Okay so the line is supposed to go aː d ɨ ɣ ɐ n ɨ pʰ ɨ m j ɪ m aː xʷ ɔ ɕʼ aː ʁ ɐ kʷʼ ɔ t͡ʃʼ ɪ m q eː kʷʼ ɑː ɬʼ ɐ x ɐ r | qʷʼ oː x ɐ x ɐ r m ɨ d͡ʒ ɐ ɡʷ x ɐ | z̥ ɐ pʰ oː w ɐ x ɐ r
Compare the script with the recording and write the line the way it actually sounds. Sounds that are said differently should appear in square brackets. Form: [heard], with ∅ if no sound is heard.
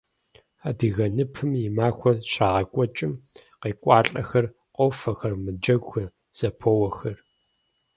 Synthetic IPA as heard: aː d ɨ ɣ ɐ n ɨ pʰ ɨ m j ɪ m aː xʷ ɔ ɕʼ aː ʁ ɐ kʷʼ ɔ t͡ʃʼ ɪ m q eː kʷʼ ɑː ɬʼ ɐ x ɐ r | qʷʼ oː [f] ɐ x ɐ r m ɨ d͡ʒ ɐ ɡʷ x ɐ | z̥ ɐ pʰ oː w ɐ x ɐ r